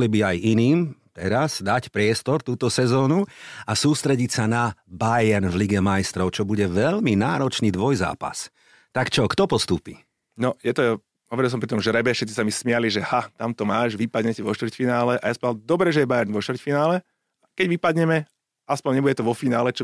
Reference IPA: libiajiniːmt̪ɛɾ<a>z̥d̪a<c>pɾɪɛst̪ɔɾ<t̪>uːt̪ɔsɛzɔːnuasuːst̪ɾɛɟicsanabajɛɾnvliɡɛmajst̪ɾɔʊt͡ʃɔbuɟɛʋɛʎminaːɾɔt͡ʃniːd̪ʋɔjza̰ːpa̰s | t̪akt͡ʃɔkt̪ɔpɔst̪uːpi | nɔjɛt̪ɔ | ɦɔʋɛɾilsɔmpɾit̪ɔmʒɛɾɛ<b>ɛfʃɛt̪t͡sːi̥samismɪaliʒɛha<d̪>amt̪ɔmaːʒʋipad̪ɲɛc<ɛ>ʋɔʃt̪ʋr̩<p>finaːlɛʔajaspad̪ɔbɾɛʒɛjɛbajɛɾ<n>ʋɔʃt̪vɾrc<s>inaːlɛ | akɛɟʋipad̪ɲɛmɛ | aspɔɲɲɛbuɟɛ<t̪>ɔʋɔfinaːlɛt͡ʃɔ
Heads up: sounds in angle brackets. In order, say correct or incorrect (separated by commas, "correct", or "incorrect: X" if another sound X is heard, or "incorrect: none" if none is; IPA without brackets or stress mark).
correct, correct, correct, correct, incorrect: t̪, correct, incorrect: c, correct, incorrect: f, correct